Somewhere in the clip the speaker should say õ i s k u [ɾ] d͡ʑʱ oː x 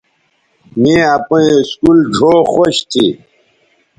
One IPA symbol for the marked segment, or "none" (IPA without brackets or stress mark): l